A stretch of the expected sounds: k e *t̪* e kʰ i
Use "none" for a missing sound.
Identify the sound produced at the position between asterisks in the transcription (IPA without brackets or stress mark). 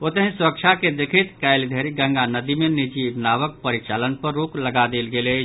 d̪